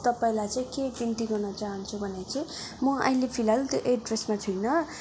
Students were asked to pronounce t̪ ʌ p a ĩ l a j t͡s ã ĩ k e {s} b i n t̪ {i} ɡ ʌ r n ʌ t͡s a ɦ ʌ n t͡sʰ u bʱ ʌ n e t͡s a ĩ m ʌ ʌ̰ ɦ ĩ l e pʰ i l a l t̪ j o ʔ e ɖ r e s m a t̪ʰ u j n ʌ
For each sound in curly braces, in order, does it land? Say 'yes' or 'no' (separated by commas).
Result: no, yes